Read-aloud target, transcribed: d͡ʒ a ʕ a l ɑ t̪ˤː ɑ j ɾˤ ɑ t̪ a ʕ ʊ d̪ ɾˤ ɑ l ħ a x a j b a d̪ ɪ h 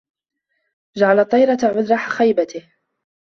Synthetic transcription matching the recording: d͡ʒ a ʕ a l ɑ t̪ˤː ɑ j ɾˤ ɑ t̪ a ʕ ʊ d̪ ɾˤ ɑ ħ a x a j b a t̪ ɪ h